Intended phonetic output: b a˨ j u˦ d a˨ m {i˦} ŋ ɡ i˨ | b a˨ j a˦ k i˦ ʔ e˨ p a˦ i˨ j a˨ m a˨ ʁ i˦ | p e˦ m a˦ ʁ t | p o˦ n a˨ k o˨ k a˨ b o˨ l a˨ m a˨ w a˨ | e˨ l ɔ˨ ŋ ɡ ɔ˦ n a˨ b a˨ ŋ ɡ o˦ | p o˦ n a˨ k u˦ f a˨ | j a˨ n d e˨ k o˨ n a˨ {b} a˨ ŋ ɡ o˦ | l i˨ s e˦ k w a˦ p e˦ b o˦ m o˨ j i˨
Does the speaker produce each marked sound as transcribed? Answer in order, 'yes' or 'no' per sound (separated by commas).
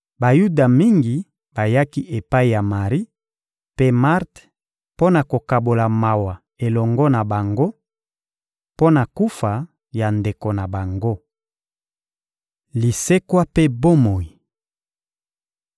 yes, yes